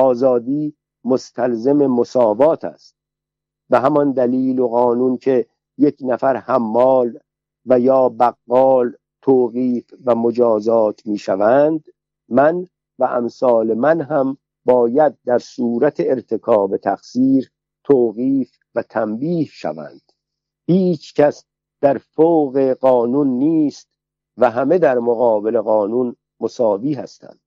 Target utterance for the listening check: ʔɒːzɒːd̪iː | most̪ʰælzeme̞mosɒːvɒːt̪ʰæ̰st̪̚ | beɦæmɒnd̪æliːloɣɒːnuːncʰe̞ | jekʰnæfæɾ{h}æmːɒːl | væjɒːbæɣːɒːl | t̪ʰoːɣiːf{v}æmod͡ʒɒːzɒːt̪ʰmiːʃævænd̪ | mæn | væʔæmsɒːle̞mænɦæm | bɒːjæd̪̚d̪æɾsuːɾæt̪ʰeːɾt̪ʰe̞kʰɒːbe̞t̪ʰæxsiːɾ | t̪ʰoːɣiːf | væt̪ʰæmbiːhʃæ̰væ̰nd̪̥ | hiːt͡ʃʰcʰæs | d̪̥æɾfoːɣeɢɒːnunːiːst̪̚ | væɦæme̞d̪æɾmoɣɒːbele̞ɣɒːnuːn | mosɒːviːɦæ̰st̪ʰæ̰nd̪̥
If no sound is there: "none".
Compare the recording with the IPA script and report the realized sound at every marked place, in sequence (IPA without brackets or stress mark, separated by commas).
h, v